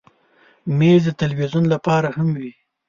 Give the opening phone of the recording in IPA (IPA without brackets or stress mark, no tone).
m